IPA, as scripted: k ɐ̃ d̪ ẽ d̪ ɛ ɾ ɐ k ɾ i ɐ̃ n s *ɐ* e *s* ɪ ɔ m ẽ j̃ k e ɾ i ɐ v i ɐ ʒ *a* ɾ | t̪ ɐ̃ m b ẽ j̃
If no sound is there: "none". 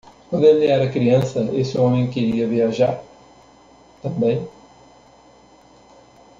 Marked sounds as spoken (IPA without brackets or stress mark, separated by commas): ɐ, s, a